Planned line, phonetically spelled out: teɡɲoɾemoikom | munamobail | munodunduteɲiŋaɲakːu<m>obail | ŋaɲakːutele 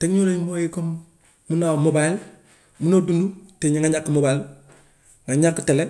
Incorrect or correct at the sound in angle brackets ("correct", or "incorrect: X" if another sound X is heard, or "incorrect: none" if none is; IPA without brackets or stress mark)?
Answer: correct